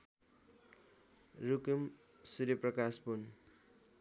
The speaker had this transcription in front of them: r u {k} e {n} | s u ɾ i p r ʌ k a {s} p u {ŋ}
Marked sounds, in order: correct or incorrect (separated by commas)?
correct, incorrect, correct, incorrect